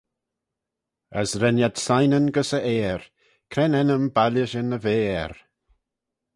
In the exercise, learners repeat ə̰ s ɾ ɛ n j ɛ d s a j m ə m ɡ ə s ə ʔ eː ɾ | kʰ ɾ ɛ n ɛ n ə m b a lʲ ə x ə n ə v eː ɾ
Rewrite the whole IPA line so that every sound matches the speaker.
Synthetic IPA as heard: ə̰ s ɾ ɛ n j a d s a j n ə n ɡ ə s ə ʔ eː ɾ | kʰ ɾ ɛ n ɛ n ə m b a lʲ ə ʃ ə n ə v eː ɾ

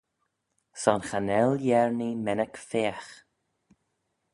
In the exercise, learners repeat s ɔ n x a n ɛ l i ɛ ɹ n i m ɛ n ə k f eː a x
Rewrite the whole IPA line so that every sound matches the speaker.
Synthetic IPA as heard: s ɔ n x a n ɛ l j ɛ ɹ n i m ɛ n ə k f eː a x

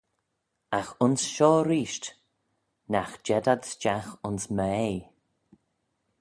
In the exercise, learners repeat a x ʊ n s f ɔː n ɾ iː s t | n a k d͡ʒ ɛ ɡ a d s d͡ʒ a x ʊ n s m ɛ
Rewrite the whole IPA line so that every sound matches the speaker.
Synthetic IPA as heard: a x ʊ n s ʃ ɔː ɾ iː ʃ t | n a x d͡ʒ ɛ d a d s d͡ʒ a x ʊ n s m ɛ

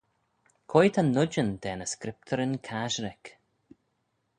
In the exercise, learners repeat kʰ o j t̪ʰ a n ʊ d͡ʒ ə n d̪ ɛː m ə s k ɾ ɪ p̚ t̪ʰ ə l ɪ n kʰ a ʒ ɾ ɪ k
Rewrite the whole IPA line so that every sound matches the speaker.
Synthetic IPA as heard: kʰ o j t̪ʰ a n ʊ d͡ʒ ə n d̪ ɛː n ə s k ɾ ɪ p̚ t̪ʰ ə ɾ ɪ n kʰ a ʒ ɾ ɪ k

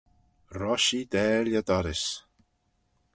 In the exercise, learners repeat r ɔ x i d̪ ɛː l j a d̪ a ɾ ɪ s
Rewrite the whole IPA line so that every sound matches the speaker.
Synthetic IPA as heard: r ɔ ʃ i d̪ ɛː l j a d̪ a ɾ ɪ s

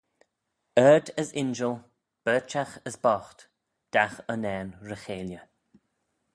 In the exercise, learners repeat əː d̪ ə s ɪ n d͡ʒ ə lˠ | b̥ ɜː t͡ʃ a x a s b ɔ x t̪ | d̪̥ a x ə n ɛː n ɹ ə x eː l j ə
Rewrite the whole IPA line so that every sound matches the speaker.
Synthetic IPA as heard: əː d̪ ə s ɪ n d͡ʒ ə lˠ | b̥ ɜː t͡ʃ a x ə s b ɔ x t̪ | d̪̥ a x ə n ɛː n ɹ ə x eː l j ə

